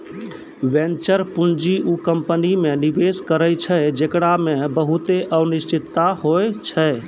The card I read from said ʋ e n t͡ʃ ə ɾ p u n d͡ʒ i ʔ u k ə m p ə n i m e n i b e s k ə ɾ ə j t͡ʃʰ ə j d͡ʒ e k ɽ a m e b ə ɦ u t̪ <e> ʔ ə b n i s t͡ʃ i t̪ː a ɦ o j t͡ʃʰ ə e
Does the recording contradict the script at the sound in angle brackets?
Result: no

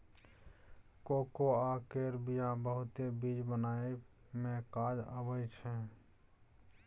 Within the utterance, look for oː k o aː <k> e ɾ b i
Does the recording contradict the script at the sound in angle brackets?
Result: no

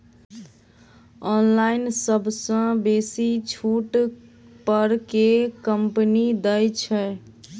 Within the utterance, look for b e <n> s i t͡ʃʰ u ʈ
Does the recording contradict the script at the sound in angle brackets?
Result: yes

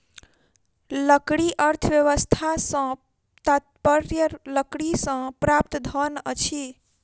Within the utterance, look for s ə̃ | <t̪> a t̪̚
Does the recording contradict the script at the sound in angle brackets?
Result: no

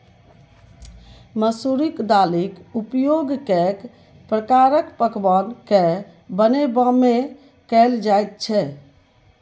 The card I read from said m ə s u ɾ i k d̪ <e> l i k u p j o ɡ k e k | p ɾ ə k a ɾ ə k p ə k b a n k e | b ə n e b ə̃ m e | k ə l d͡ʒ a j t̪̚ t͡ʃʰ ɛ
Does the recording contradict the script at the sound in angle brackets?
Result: yes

